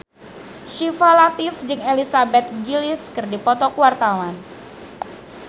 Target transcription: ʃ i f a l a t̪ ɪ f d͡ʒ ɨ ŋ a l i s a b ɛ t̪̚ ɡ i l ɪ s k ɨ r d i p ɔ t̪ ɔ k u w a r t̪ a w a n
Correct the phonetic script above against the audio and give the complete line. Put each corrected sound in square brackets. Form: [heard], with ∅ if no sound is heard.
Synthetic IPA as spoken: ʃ i f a l a t̪ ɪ f d͡ʒ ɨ ŋ [e] l i s a b ɛ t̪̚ ɡ i l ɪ s k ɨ r d i p ɔ t̪ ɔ k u w a r t̪ a w a n